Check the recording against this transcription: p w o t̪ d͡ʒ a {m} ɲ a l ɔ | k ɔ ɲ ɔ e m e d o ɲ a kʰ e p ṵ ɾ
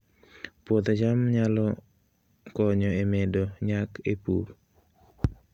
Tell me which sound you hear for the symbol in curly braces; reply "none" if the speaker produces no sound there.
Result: m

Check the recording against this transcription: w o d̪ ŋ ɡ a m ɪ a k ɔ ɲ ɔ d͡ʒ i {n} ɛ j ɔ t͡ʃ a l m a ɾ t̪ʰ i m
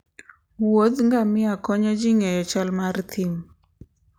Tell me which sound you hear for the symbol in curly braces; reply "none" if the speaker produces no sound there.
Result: ŋ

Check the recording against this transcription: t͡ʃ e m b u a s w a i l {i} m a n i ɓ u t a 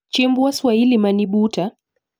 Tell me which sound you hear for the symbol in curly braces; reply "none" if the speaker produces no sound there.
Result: i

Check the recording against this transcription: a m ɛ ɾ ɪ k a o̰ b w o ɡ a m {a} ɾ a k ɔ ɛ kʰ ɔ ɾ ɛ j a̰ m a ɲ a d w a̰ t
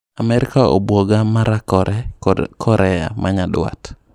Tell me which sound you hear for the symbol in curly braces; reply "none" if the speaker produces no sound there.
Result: a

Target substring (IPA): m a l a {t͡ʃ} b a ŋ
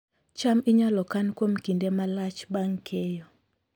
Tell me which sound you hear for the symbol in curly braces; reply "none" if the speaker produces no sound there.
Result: t͡ʃ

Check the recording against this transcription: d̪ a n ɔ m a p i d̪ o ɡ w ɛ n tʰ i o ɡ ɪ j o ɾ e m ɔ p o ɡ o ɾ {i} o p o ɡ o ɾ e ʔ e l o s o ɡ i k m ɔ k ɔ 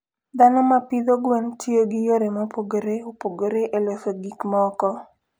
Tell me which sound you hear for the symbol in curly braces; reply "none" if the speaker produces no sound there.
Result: e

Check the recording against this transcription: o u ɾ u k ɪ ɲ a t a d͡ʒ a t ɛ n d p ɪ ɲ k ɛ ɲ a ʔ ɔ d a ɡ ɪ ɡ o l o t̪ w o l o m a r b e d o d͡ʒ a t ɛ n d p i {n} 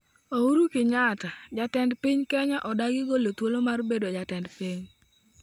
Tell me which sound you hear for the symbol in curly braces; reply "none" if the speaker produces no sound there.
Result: ɲ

